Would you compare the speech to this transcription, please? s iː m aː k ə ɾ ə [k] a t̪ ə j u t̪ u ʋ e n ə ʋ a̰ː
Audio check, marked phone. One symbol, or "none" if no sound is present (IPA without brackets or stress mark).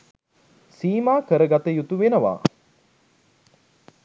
ɡ